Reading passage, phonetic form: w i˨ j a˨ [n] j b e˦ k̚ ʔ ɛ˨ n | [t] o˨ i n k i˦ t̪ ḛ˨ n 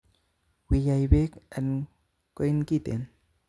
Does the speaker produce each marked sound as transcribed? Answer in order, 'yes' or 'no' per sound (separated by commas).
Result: no, no